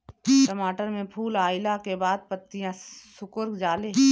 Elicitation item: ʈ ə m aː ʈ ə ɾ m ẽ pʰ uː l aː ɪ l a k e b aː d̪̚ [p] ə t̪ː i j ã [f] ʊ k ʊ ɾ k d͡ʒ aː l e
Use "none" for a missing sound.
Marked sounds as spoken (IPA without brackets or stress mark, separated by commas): p, s